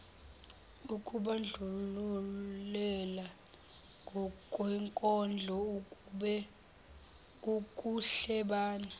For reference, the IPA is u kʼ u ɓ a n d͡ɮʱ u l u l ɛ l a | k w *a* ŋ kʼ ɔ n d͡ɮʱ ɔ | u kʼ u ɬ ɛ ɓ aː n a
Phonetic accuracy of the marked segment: incorrect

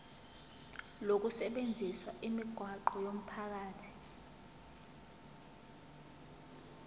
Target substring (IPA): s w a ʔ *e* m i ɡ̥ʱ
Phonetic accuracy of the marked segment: incorrect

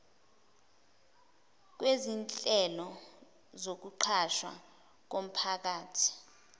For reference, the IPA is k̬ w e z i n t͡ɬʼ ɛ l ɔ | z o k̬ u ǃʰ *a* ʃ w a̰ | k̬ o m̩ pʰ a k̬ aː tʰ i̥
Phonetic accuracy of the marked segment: correct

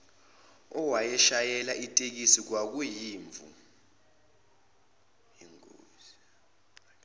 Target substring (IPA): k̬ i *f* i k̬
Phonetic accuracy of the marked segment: incorrect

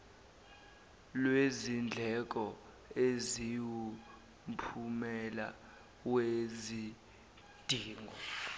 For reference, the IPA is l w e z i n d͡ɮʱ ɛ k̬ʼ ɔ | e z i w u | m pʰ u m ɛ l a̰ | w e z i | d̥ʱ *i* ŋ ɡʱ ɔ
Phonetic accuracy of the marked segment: incorrect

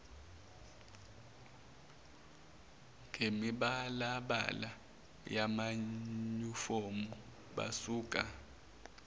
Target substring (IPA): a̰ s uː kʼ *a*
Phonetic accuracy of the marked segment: correct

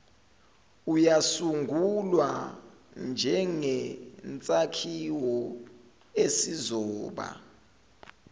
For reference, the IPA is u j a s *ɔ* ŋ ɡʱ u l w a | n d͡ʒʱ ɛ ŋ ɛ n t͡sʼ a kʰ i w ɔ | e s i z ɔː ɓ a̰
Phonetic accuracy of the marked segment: incorrect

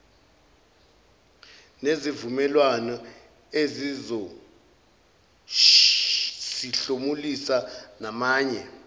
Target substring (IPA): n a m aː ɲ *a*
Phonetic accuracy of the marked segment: incorrect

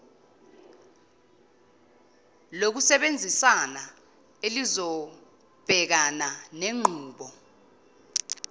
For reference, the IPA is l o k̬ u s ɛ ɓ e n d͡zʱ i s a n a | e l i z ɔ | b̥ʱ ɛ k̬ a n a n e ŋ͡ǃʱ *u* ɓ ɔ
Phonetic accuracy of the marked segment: incorrect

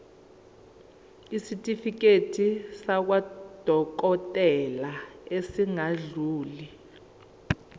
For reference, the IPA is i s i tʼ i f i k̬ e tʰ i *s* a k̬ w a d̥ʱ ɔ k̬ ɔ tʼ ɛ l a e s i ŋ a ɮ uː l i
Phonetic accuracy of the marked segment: correct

